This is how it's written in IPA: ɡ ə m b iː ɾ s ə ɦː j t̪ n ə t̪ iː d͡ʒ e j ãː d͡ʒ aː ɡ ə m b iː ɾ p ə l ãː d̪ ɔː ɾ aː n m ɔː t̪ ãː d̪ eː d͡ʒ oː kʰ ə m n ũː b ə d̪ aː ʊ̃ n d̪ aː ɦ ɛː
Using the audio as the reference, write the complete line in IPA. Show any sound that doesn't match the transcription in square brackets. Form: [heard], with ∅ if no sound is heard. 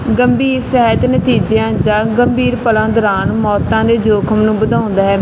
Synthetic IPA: ɡ ə m b iː ɾ s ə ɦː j t̪ n ə t̪ iː d͡ʒ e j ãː d͡ʒ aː ɡ ə m b iː ɾ p ə l ãː d̪ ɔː ɾ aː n m ɔː t̪ ãː d̪ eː d͡ʒ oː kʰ ə m n ũː b ə d̪ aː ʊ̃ n d̪ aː ɦ ɛː

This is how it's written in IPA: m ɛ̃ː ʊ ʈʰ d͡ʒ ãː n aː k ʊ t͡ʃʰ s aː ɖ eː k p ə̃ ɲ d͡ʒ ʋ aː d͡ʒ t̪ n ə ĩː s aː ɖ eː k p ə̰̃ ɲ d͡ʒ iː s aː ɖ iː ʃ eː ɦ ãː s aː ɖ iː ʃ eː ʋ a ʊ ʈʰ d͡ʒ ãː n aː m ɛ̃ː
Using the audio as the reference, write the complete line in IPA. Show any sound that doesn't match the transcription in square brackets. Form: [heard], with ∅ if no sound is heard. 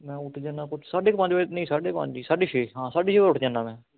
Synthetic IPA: m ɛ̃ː ʊ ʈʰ d͡ʒ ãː n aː k ʊ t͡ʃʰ s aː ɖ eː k p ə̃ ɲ d͡ʒ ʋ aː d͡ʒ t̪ n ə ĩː s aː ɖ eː k p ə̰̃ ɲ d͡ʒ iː s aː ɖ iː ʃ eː ɦ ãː s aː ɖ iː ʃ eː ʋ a ʊ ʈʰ d͡ʒ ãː n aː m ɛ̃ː

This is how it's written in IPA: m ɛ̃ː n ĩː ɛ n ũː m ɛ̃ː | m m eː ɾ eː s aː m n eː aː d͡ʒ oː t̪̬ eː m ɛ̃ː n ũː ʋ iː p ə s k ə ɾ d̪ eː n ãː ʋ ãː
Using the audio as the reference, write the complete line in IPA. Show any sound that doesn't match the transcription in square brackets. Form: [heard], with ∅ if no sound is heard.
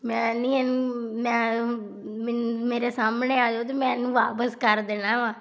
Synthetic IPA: m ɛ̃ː n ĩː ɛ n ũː m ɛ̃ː | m m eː ɾ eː s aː m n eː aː d͡ʒ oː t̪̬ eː m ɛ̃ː n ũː ʋ [aː] p ə s k ə ɾ d̪ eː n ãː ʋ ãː

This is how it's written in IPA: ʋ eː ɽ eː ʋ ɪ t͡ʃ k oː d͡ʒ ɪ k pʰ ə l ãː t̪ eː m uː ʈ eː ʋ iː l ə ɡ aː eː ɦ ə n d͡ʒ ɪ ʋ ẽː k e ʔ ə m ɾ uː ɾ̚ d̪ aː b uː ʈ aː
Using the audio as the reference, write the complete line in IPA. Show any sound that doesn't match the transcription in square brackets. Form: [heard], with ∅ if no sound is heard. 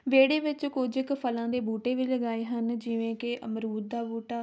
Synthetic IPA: ʋ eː ɽ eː ʋ ɪ t͡ʃ k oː d͡ʒ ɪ k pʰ ə l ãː [d̪] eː [b] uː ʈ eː ʋ iː l ə ɡ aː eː ɦ ə n d͡ʒ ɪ ʋ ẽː k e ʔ ə m ɾ uː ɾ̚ d̪ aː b uː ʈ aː

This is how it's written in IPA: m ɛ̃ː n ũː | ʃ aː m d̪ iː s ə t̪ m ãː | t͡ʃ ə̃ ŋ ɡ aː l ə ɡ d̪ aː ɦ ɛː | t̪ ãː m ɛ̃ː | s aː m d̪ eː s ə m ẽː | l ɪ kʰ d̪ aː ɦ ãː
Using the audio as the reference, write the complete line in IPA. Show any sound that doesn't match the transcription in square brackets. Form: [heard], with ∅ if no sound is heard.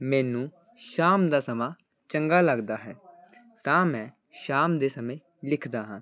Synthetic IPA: m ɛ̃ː n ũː | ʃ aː m d̪ [aː] s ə [∅] m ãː | t͡ʃ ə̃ ŋ ɡ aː l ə ɡ d̪ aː ɦ ɛː | t̪ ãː m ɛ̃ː | [ʃ] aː m d̪ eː s ə m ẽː | l ɪ kʰ d̪ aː ɦ ãː

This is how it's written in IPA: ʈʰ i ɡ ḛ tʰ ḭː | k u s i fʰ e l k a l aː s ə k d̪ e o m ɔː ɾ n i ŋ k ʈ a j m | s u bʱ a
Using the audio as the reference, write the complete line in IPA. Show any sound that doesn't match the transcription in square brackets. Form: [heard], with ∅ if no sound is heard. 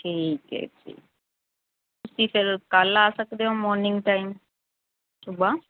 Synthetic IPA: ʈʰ i [k] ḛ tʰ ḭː | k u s i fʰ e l k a l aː s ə k d̪ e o m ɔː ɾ n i ŋ [ɡ] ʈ a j m | s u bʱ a

